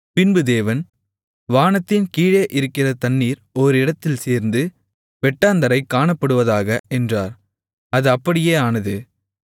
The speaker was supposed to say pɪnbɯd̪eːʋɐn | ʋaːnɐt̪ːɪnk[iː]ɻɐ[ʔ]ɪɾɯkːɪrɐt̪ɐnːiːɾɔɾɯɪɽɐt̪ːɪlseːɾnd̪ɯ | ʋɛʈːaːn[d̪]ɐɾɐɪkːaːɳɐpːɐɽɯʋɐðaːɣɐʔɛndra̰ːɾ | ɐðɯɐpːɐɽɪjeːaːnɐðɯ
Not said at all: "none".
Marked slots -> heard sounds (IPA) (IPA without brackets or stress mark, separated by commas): iː, ʔ, d̪